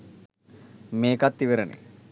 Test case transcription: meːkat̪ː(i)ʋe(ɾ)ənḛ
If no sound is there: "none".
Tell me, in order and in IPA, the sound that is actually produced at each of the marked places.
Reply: i, ɾ

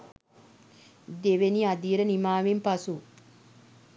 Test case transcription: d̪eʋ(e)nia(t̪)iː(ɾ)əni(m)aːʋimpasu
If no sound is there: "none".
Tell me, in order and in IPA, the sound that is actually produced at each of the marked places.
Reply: e, d̪, ɾ, m

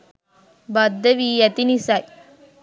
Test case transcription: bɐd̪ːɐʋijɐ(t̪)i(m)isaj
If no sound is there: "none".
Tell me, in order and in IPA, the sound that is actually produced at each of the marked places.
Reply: t̪, n

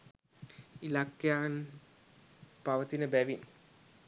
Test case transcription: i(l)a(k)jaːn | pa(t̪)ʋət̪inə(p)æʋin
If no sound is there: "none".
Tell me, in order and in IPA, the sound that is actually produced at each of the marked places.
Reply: l, k, none, b

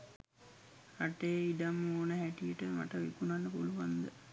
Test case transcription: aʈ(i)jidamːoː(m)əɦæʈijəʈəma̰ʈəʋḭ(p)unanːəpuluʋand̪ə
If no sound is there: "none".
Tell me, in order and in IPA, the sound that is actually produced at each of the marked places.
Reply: e, n, k

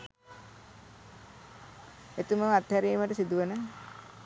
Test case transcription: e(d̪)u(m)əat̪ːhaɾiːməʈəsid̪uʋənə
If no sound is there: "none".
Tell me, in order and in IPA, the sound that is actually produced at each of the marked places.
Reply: t̪, m

